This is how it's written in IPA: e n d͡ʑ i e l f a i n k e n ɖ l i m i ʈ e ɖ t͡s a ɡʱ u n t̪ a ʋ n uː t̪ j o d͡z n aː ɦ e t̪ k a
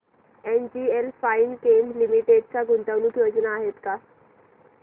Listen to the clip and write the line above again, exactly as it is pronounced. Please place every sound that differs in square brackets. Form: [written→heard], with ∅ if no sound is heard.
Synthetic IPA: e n d͡ʑ i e l f a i n k e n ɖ l i m i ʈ e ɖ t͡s a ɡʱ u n t̪ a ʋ n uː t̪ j o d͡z n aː ɦ e t̪ k a